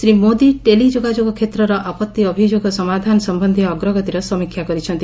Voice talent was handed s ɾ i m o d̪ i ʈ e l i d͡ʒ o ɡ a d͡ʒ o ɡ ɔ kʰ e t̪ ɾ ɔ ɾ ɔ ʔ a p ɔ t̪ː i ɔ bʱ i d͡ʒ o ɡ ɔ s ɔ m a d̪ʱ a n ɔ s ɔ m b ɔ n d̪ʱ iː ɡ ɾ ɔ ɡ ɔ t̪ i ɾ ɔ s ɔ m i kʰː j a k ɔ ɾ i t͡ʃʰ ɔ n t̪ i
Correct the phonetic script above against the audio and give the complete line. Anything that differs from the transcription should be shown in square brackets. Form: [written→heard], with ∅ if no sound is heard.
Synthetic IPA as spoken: s ɾ i m o d̪ i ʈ e l i d͡ʒ o ɡ a d͡ʒ o ɡ ɔ kʰ e t̪ ɾ ɔ ɾ ɔ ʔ a p ɔ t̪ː i ɔ bʱ i d͡ʒ o ɡ ɔ s ɔ m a d̪ʱ a n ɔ s ɔ m b ɔ n d̪ʱ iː ɡ ɾ ɔ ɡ ɔ t̪ i ɾ ɔ s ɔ m i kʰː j a k ɔ ɾ i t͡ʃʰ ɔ n t̪ i